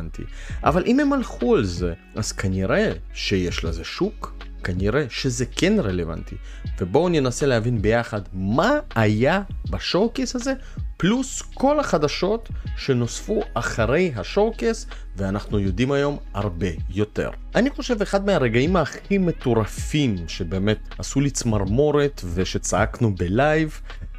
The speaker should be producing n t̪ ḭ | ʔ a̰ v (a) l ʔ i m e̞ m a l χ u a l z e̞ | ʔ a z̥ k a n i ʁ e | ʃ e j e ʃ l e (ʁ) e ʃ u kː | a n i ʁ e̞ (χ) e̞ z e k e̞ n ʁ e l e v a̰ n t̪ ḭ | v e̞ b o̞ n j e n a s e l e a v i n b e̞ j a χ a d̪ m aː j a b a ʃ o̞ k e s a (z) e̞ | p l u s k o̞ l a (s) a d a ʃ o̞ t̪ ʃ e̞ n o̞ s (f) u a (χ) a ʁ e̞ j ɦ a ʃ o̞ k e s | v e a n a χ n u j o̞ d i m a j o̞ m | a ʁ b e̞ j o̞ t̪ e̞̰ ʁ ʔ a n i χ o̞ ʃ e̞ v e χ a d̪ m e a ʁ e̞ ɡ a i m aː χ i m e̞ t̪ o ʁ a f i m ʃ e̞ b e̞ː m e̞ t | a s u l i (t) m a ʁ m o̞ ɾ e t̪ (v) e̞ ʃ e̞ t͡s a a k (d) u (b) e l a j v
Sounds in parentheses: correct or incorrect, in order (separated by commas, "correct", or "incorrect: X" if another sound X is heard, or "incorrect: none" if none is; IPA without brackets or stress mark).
correct, incorrect: z, incorrect: ʃ, correct, incorrect: χ, correct, correct, incorrect: t͡s, correct, incorrect: n, correct